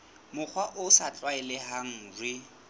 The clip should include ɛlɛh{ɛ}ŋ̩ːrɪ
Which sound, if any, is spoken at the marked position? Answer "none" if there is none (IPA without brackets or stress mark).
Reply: a